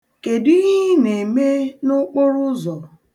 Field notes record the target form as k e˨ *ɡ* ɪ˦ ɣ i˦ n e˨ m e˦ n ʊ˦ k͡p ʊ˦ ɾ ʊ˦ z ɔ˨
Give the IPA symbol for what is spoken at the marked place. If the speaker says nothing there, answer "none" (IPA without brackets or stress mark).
d